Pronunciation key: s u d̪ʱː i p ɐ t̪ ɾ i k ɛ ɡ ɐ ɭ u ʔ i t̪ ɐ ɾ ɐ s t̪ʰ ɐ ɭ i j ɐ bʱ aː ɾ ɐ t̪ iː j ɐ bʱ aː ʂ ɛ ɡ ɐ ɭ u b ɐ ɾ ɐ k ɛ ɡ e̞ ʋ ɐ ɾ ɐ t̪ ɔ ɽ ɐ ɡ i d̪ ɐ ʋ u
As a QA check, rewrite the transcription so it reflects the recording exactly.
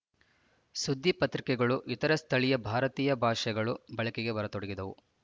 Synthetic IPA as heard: s u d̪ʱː i p ɐ t̪ ɾ i k ɛ ɡ ɐ ɭ u ʔ i t̪ ɐ ɾ ɐ s t̪ʰ ɐ ɭ i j ɐ bʱ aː ɾ ɐ t̪ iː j ɐ bʱ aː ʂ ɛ ɡ ɐ ɭ u b ɐ ɭ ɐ k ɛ ɡ e̞ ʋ ɐ ɾ ɐ t̪ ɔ ɽ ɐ ɡ i d̪ ɐ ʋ u